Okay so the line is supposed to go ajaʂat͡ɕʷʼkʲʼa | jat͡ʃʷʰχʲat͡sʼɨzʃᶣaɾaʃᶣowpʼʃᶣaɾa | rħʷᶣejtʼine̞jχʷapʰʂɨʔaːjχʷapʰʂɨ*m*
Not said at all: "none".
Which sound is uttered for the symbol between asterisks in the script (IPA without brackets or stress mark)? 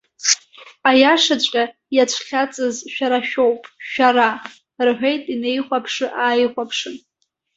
n